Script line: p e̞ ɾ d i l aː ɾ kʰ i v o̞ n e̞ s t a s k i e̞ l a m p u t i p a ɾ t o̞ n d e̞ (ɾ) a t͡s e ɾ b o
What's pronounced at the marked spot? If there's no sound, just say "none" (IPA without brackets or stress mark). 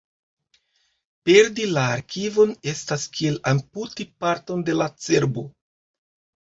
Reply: l